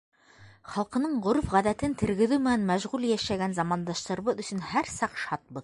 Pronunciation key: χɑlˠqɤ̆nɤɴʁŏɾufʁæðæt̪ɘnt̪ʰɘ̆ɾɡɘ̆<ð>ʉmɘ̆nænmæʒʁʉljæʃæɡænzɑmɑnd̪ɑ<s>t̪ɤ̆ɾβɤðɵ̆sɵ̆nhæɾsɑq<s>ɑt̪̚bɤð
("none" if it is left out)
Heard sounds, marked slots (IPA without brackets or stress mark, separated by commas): ð, ʃ, ʃ